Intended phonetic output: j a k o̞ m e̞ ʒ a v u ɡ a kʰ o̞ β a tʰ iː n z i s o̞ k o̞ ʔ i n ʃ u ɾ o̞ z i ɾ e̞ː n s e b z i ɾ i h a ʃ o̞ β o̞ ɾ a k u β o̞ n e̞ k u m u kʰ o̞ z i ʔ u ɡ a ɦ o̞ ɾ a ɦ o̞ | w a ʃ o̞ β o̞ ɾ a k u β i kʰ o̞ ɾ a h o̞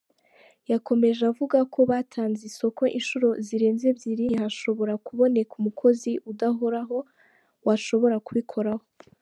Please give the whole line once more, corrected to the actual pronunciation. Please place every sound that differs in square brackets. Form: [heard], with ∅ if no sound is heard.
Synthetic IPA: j a k o̞ m e̞ ʒ a v u ɡ a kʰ o̞ β a tʰ [aː] n z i s o̞ k o̞ ʔ i n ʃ u ɾ o̞ z i ɾ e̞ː n [z] e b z i ɾ i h a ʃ o̞ β o̞ ɾ a k u β o̞ n e̞ k u m u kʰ o̞ z i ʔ u [d] a ɦ o̞ ɾ a ɦ o̞ | w a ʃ o̞ β o̞ ɾ a k u β i kʰ o̞ ɾ a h o̞